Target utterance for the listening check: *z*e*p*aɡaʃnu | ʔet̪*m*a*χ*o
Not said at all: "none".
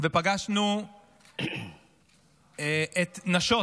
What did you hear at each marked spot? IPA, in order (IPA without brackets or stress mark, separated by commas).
v, p, n, ʃ